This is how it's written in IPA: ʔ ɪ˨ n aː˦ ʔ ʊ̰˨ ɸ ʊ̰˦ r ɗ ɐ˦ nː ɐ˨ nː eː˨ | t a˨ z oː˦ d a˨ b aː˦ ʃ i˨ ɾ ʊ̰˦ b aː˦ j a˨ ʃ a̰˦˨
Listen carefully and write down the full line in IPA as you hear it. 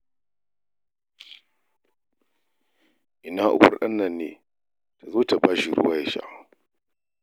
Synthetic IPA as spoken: ʔ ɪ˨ n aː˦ ʔ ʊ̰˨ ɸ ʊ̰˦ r ɗ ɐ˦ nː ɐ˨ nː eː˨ | t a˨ z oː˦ t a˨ b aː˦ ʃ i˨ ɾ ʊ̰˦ w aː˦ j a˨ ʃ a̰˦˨